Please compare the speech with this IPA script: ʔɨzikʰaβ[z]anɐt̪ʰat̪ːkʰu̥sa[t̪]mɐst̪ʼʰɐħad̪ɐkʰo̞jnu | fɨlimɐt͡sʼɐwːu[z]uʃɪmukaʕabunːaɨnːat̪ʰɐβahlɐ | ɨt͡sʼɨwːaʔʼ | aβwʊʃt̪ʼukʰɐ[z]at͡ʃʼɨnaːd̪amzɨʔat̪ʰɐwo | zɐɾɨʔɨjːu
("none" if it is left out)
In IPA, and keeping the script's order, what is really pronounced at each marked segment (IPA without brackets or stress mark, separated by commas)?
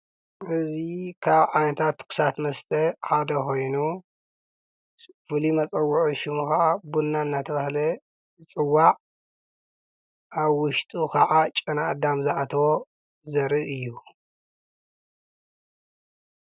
ʕ, t̪, ʕ, ʕ